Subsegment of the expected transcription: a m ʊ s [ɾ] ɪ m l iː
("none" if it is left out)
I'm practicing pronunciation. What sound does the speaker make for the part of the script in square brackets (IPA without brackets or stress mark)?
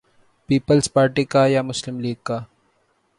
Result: l